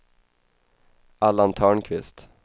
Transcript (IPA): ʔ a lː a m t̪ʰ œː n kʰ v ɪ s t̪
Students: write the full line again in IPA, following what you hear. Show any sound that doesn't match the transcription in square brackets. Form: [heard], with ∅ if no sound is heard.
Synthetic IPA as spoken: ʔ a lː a [n] t̪ʰ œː [ɳ] kʰ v ɪ s t̪